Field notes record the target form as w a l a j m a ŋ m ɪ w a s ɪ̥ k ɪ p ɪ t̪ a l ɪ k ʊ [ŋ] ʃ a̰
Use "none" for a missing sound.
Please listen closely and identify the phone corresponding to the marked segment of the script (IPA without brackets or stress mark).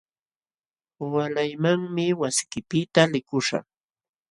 none